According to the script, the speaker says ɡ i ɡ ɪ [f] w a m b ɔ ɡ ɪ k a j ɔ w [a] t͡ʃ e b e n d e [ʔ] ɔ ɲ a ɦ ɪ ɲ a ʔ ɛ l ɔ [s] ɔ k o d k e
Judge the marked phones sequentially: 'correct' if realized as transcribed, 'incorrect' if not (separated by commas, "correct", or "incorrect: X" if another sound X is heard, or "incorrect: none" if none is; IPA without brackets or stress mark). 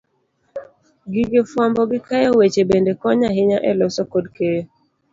correct, incorrect: e, incorrect: k, correct